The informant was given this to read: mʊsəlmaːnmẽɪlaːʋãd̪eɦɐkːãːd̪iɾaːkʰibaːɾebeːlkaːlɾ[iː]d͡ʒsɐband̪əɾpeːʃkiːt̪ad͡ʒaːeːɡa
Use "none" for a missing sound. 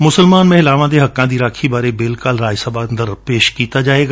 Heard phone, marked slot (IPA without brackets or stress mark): aː